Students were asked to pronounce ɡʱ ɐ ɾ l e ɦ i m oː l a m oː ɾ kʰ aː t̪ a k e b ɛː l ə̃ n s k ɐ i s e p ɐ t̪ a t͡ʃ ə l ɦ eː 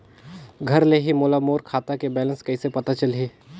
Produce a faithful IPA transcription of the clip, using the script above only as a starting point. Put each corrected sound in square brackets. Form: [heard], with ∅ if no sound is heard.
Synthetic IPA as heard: ɡʱ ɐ ɾ l e ɦ i m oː l a m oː ɾ kʰ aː t̪ a k e b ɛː l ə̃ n s k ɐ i s e p ɐ t̪ a t͡ʃ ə l ɦ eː